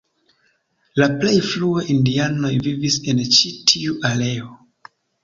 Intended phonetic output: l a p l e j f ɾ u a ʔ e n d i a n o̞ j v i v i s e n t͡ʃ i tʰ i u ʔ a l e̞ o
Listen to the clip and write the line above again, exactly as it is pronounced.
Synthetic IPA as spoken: l a p l e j f l u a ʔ i n d i a n o̞ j v i v i s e n t͡ʃ i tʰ i u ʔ a l e̞ o